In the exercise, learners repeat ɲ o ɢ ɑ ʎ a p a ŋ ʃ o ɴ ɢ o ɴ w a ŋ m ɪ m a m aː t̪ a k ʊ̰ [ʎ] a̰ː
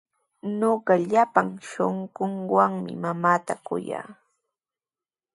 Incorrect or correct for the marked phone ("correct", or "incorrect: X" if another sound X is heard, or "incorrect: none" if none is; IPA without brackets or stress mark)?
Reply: incorrect: j